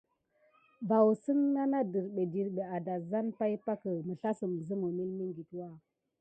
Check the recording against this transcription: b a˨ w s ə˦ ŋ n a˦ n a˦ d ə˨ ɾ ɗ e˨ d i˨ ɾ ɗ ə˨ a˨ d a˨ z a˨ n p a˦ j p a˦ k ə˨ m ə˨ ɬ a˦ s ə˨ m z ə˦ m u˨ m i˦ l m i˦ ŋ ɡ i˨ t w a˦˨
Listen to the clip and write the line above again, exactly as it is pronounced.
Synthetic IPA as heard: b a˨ w s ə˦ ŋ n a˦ n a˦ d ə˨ ɾ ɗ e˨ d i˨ ɾ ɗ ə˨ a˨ d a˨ z a˦ n p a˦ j p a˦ k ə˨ m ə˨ ɬ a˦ s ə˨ m z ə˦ m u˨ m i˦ l m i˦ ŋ ɡ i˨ t w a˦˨